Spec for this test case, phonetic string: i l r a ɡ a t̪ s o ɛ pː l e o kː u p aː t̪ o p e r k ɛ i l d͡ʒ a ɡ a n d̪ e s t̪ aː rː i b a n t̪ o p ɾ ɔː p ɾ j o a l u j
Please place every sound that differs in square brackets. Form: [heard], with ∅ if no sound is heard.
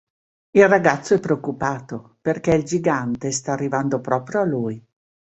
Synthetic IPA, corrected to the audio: i l r a ɡ a t̪ [sː] o ɛ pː [ɾ] e o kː u p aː t̪ o p e r k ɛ i l d͡ʒ [i] ɡ a n [t̪] e s t̪ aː rː i [v] a n [d̪] o p ɾ ɔː p ɾ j o a l u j